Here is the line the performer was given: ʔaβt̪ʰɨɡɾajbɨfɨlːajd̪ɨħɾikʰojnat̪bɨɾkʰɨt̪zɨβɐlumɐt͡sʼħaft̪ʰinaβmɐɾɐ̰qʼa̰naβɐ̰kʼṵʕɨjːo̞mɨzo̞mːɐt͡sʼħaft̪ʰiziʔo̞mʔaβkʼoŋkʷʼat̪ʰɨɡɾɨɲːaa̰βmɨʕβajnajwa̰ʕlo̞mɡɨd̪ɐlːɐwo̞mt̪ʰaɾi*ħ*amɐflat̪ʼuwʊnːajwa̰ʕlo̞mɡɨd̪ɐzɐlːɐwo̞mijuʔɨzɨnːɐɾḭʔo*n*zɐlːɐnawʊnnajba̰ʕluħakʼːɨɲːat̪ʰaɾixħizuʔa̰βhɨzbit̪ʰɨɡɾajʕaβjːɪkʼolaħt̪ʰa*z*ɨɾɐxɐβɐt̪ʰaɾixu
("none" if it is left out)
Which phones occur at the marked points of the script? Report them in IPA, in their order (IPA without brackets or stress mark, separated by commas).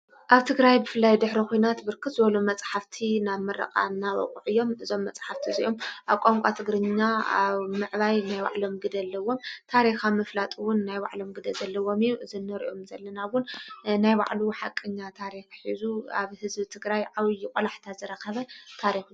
x, m, z